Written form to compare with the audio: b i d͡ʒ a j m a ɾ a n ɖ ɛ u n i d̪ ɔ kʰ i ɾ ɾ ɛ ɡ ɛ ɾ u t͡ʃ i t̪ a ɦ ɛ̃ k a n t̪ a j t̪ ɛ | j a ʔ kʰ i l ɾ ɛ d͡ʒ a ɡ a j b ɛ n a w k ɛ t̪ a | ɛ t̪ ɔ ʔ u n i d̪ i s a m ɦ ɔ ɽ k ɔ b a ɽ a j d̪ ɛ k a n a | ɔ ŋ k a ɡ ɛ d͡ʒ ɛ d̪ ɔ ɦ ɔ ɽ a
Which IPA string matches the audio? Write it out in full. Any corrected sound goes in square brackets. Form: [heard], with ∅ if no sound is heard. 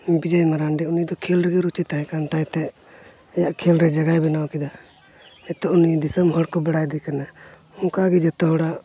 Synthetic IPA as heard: b i d͡ʒ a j m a ɾ a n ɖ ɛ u n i d̪ ɔ kʰ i [l] ɾ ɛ ɡ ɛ ɾ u t͡ʃ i t̪ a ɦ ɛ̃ k a n t̪ a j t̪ ɛ | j a ʔ kʰ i l ɾ ɛ d͡ʒ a ɡ a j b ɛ n a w k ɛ [d̪] a | ɛ t̪ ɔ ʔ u n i d̪ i s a m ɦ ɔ ɽ k ɔ b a ɽ a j d̪ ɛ k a n a | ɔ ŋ k a ɡ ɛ d͡ʒ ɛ [t̪] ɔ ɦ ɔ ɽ a